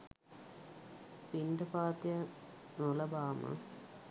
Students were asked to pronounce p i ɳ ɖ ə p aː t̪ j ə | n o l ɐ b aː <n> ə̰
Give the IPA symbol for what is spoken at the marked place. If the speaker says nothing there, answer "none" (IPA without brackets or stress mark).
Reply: m